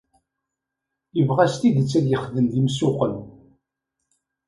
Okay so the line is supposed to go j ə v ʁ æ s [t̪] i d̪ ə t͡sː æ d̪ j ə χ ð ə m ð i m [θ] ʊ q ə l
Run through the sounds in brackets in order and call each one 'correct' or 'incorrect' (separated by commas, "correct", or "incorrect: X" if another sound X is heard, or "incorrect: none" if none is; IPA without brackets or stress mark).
correct, incorrect: s